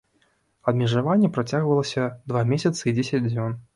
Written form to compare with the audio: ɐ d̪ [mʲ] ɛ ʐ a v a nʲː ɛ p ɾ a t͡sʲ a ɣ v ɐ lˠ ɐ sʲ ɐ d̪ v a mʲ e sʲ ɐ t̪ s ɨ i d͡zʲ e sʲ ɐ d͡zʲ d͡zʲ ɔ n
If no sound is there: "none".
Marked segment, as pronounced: mʲ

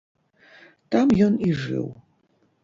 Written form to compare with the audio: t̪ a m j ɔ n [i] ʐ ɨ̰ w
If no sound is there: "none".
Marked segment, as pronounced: i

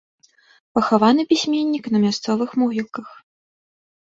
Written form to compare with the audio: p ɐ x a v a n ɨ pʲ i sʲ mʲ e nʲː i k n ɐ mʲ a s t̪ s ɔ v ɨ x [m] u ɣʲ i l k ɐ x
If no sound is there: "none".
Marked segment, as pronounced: m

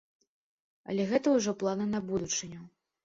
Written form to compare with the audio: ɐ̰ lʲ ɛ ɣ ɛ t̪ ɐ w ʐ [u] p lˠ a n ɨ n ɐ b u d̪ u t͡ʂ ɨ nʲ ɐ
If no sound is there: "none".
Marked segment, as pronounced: ɔ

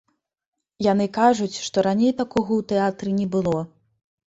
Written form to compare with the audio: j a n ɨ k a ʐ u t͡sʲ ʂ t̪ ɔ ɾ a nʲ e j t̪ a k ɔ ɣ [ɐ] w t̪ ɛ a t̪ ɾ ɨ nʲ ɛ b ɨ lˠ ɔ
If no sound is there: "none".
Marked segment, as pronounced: ɐ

